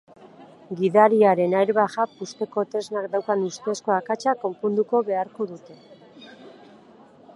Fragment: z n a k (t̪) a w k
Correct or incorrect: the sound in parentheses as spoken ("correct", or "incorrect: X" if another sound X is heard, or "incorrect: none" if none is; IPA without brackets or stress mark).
incorrect: d̪